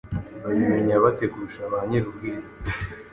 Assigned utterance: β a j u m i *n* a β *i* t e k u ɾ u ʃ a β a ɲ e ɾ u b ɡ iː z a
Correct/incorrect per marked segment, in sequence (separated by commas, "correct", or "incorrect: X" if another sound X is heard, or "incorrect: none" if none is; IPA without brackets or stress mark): incorrect: ɲ, incorrect: a